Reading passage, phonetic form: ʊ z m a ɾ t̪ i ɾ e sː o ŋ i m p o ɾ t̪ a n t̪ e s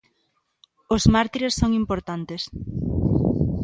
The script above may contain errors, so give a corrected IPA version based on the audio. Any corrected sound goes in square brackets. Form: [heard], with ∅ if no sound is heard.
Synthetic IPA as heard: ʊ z m a ɾ t̪ i ɾ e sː o ŋ i m p o ɾ t̪ a n t̪ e s

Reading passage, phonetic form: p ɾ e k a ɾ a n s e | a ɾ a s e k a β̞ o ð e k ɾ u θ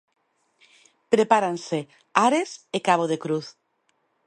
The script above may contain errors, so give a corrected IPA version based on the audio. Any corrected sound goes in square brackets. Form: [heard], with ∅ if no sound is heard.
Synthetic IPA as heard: p ɾ e [p] a ɾ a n s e | a ɾ [e] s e k a β̞ o ð e k ɾ u θ

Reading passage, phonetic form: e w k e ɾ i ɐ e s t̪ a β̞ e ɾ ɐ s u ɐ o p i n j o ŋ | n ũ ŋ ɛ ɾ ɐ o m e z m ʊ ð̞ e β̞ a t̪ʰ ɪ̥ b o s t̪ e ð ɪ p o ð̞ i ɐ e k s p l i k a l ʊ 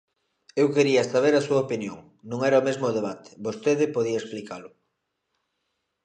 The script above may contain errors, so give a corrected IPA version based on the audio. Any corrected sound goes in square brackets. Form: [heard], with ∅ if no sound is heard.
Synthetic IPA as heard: e w k e ɾ i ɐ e s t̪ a β̞ e ɾ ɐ s u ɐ o p i n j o ŋ | n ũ ŋ ɛ ɾ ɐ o m e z m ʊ ð̞ e β̞ a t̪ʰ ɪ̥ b o s t̪ e ð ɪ p o ð̞ i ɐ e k s p l i k a l ʊ

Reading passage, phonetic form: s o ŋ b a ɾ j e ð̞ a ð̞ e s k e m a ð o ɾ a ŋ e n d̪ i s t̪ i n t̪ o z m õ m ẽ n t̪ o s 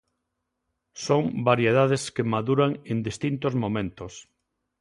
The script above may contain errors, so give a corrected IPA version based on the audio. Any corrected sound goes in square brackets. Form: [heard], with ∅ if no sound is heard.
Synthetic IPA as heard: s o ŋ b a ɾ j e ð̞ a ð̞ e s k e m a ð [u] ɾ a ŋ e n d̪ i s t̪ i n t̪ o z m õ m ẽ n t̪ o s

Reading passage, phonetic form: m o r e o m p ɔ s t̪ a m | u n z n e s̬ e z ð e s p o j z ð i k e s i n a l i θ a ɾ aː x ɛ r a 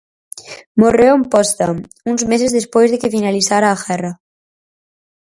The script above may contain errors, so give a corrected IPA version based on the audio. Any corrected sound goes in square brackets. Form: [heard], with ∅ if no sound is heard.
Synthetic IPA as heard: m o r e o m p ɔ s t̪ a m | u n z [m] e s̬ e z ð e s p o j z ð [e] k e [f] i n a l i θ a ɾ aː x ɛ r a

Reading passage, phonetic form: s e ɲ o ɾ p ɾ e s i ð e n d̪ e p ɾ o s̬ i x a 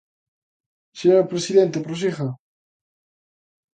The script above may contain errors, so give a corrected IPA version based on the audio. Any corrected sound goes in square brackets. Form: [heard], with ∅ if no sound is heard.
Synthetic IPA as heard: s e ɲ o ɾ p ɾ e s i ð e n [t̪] e p ɾ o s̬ i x a

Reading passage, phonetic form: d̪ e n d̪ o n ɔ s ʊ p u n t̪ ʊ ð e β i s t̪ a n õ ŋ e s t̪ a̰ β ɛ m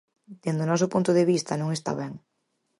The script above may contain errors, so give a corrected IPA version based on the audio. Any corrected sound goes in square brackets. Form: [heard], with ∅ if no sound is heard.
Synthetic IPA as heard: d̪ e n d̪ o n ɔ s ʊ p u n t̪ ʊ ð e β i s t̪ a n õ ŋ e s t̪ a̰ β ɛ [ŋ]

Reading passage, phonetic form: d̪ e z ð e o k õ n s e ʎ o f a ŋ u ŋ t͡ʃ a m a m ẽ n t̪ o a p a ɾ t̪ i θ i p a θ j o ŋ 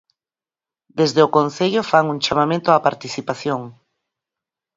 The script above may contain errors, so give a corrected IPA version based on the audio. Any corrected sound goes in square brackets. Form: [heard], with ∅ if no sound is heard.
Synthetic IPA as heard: d̪ e z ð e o k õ n [θ] e ʎ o f a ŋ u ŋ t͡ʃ a m a m ẽ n t̪ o a p a ɾ t̪ i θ i p a θ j o ŋ

